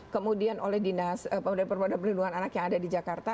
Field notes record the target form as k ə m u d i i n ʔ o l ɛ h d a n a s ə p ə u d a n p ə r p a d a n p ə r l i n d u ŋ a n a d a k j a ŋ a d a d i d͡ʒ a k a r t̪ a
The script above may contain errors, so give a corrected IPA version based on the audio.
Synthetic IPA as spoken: k ə m u d i a n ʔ o l ɛ h d i n a s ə p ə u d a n p ə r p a d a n p ə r l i n d u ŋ a n a n a k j a ŋ a d a d i d͡ʒ a k a r t̪ a